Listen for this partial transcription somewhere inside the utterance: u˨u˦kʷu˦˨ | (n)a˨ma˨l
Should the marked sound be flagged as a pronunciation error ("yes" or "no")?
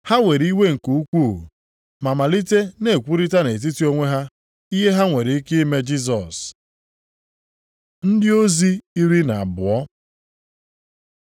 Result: yes